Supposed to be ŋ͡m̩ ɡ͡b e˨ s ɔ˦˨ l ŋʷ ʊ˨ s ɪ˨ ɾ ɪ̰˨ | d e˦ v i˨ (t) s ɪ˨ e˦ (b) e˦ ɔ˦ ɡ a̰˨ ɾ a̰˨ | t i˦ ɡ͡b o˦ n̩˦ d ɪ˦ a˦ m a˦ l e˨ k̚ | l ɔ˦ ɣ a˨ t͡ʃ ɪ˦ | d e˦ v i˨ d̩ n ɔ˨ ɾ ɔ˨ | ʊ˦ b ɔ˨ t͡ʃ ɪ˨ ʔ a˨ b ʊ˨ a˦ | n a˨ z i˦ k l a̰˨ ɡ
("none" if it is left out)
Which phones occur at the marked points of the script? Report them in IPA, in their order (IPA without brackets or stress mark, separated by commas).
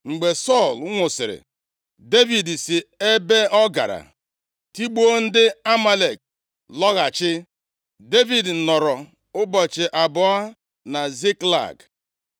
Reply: d, b